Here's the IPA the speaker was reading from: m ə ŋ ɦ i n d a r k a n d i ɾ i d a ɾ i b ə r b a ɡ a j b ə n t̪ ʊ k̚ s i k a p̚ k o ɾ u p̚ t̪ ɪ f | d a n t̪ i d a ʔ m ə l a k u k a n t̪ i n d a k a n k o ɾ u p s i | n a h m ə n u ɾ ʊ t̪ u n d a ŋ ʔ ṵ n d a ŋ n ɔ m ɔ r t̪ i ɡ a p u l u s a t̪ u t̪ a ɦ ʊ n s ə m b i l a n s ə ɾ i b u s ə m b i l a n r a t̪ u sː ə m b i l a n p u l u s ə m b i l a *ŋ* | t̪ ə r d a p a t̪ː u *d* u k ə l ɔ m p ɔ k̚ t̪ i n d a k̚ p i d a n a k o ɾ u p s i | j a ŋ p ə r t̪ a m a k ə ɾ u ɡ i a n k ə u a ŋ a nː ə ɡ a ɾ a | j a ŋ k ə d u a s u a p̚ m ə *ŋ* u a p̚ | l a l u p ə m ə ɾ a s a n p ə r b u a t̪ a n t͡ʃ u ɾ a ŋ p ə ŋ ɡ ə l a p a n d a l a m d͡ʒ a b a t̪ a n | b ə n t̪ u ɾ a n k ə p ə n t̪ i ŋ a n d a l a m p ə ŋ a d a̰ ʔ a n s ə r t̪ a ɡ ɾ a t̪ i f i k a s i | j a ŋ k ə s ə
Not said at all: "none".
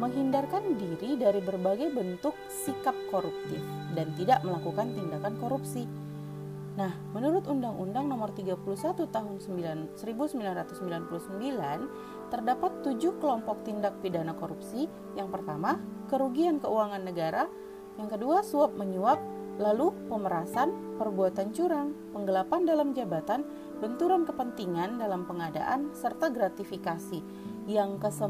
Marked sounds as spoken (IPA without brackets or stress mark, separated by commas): n, d͡ʒ, ɲ